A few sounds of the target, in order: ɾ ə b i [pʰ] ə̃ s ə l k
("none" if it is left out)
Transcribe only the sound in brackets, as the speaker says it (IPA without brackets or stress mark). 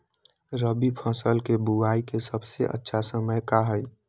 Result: pʰ